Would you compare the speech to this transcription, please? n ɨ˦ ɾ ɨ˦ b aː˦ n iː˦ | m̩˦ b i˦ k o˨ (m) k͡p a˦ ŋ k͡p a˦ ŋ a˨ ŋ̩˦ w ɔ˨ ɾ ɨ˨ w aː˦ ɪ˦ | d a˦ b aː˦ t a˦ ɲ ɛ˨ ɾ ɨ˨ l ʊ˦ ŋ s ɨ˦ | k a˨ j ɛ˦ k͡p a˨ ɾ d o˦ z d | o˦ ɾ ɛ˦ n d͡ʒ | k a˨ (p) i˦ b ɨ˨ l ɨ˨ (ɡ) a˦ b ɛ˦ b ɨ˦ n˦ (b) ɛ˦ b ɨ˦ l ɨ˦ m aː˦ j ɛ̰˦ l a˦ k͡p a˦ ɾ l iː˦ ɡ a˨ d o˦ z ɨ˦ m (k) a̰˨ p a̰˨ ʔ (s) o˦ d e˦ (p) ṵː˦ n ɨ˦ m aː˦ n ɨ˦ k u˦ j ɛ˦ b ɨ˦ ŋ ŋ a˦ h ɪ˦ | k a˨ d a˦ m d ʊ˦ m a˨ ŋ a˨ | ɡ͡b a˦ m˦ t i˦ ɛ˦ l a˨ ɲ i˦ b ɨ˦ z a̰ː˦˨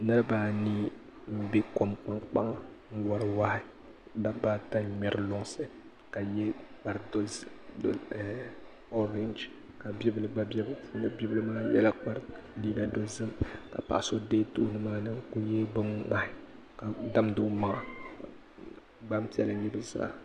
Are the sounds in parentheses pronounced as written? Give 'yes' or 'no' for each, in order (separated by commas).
yes, no, no, yes, yes, yes, no